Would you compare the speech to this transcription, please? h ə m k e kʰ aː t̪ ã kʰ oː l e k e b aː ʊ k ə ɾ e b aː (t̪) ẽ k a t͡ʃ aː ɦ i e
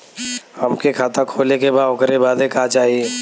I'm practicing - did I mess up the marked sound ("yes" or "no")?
yes